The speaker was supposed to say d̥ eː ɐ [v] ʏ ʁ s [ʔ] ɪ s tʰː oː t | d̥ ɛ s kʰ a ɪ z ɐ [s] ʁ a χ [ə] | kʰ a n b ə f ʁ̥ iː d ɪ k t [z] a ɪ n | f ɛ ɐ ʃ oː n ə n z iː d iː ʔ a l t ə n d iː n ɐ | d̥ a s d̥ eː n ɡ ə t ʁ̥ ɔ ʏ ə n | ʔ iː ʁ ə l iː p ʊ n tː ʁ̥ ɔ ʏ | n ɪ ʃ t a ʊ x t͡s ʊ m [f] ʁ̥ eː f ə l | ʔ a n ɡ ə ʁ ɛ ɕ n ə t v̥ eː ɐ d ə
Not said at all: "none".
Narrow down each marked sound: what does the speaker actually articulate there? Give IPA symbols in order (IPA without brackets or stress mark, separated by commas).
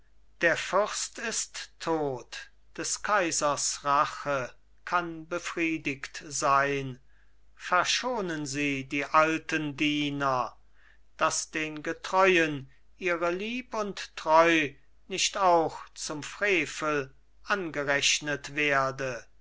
f, t, s, ə, z, f